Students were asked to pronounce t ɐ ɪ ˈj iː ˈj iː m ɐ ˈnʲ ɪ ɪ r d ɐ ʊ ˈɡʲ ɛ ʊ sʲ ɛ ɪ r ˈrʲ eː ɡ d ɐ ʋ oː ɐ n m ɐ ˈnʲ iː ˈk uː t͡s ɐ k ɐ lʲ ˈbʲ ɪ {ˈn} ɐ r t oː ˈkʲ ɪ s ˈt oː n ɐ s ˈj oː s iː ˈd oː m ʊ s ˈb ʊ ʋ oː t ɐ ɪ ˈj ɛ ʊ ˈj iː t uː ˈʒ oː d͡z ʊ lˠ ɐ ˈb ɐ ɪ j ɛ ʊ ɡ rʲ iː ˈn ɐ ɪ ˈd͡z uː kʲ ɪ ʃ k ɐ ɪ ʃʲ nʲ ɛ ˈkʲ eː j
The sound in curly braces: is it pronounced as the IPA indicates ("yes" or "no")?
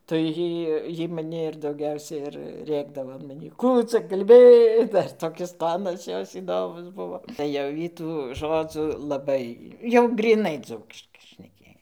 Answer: no